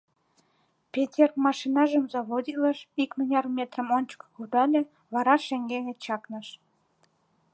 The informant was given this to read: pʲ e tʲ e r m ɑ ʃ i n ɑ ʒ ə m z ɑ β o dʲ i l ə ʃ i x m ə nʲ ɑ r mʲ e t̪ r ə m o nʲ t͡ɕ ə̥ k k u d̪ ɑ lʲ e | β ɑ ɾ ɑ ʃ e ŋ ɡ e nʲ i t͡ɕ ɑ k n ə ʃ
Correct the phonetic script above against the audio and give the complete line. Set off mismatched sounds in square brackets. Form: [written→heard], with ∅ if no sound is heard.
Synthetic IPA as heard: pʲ e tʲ e r m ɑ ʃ i n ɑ ʒ ə m z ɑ β o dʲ i l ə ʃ i [x→k] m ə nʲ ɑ r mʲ e t̪ r ə m o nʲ t͡ɕ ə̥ k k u d̪ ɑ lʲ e | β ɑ ɾ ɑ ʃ e ŋ ɡ e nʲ [i→e] t͡ɕ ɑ k n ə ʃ

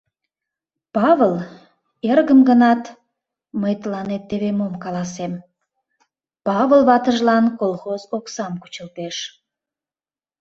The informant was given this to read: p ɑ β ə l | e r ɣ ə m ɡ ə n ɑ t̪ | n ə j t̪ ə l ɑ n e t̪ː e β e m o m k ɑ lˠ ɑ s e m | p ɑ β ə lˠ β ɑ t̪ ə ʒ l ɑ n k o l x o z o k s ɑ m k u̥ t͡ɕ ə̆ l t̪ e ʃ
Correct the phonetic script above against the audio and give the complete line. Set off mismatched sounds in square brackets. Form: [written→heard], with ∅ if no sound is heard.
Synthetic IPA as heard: p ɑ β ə l | e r ɣ ə m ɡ ə n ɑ t̪ | [n→m] ə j t̪ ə l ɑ n e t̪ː e β e m o m k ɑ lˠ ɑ s e m | p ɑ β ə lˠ β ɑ t̪ ə ʒ l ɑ n k o l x o z o k s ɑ m k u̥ t͡ɕ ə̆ l t̪ e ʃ

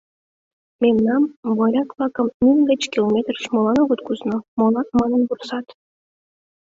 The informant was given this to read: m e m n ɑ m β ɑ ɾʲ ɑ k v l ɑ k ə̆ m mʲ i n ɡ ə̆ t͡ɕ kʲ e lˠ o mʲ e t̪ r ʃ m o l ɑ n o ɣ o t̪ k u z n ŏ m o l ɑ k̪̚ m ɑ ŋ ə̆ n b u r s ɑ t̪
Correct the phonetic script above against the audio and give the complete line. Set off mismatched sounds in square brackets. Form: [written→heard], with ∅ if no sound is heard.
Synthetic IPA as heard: m e m n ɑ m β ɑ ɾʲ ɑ k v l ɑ k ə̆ m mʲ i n ɡ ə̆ t͡ɕ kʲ [e→i] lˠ o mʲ e t̪ r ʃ m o l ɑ n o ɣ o t̪ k u z n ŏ m o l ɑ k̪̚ m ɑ [ŋ→n] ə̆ n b u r s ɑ t̪

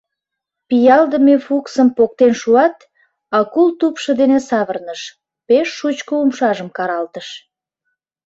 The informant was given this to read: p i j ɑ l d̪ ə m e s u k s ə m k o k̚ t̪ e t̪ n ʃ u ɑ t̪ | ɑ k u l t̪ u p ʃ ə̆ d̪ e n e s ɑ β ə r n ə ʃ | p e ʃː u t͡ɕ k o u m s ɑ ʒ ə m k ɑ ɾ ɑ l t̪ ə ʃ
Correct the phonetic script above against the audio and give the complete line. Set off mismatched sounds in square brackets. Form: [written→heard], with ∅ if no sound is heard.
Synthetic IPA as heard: p i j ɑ l d̪ ə m e [s→f] u k s ə m [k→p] o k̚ t̪ e [t̪→∅] n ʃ u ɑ t̪ | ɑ k u l t̪ u p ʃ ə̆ d̪ e n e s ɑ β ə r n ə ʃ | p e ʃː u t͡ɕ k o u m [s→ʃ] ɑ ʒ ə m k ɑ ɾ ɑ l t̪ ə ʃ

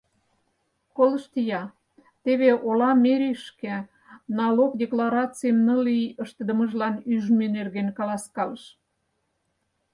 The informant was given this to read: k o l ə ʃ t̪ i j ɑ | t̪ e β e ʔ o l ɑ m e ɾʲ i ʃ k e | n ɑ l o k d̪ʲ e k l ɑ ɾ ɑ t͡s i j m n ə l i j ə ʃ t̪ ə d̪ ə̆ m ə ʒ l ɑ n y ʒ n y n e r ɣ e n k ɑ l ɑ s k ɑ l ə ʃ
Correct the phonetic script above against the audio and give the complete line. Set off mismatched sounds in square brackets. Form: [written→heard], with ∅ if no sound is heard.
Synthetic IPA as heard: k o l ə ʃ t̪ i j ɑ | t̪ e β e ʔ o l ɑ m e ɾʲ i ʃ k e | n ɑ l o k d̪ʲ e k l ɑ ɾ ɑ t͡s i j m n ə l i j ə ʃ t̪ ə d̪ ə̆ m ə ʒ l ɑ n y ʒ [n→m] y n e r ɣ e n k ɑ l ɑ s k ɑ l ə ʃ

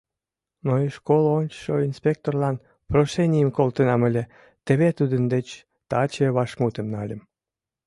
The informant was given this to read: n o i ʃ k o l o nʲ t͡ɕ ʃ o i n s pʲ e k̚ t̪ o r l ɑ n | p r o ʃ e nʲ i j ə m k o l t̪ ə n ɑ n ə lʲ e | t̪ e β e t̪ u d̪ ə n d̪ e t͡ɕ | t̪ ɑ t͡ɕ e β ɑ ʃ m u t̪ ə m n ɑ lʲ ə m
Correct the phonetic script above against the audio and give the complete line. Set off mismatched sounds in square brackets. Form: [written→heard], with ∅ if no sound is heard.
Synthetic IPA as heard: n o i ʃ k o l o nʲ t͡ɕ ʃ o i n s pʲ e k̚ t̪ o r l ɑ n | p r o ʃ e nʲ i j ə m k o l t̪ ə n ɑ [n→m] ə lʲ e | t̪ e β e t̪ u d̪ ə n d̪ e t͡ɕ | t̪ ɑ t͡ɕ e β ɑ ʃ m u t̪ ə m n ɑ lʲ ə m

